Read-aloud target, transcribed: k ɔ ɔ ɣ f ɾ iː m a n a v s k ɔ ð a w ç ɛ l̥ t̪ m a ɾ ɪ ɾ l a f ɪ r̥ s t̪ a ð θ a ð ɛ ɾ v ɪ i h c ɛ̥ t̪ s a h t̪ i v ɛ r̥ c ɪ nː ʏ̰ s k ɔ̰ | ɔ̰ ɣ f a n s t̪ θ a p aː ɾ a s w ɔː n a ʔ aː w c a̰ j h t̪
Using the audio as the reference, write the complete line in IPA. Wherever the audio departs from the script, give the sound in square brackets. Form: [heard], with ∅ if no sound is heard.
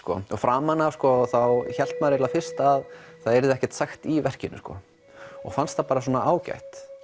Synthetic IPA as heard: k ɔ ɔ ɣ f ɾ [aː] m a n a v s k ɔ [θ] a w ç ɛ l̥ t̪ m a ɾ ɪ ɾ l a f ɪ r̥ s t̪ a ð θ a ð ɛ ɾ [ð] ɪ [ɛ] h c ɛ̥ t̪ s a [x] t̪ i v ɛ r̥ c ɪ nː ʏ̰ s k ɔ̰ | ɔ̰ ɣ f a n s t̪ θ a p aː ɾ a s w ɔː n a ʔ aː w c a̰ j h t̪